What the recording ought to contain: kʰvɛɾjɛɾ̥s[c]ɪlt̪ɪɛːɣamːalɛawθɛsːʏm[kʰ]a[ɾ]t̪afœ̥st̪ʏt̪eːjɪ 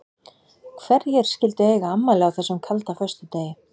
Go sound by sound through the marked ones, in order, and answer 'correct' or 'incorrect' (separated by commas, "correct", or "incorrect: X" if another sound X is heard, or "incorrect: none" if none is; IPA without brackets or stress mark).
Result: correct, correct, incorrect: l